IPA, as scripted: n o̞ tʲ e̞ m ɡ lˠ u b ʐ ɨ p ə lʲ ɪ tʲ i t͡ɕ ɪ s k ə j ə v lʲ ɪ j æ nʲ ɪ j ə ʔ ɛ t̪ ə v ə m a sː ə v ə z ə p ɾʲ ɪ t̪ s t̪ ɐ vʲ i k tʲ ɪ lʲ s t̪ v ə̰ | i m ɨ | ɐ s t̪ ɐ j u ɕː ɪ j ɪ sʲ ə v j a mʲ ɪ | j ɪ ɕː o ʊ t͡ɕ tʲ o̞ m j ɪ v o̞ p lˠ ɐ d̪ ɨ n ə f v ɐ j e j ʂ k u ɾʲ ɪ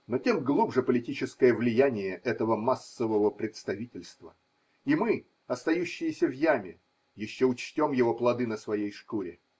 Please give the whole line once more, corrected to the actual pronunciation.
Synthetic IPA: n o̞ tʲ e̞ m ɡ lˠ u b ʐ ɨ p ə lʲ ɪ tʲ i t͡ɕ ɪ s k ə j ə v lʲ ɪ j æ nʲ ɪ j ə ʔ ɛ t̪ ə v ə m a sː ə v ə v ə p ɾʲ ɪ t̪ s t̪ ɐ vʲ i tʲ ɪ lʲ s t̪ v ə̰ | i m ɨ | ɐ s t̪ ɐ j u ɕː ɪ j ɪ sʲ ə v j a mʲ ɪ | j ɪ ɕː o ʊ t͡ɕ tʲ o̞ m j ɪ v o̞ p lˠ ɐ d̪ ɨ n ə s v ɐ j e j ʂ k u ɾʲ ɪ